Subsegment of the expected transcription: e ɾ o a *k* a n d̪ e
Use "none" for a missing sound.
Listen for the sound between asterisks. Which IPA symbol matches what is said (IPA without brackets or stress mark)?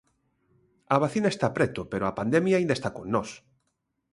p